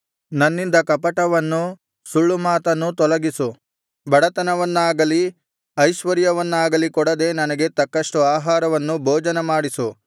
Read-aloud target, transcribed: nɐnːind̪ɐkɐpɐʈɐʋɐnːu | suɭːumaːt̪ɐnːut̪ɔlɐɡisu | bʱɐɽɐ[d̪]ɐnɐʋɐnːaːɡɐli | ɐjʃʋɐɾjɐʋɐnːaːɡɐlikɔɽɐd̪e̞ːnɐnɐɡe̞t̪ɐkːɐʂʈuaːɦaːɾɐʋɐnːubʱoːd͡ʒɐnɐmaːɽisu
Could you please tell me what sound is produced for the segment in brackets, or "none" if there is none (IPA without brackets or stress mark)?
t̪